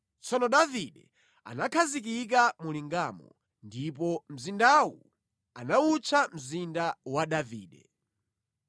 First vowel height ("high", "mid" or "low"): mid